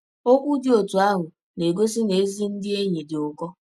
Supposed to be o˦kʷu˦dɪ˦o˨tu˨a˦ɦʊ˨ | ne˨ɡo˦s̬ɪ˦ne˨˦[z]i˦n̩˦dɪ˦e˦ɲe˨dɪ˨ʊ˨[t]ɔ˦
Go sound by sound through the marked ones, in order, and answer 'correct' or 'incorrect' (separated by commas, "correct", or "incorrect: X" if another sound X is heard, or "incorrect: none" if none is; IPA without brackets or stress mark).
correct, incorrect: k